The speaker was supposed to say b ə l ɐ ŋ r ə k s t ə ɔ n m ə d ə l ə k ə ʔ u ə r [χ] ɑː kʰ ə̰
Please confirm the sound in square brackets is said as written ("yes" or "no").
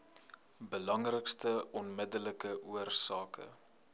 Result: no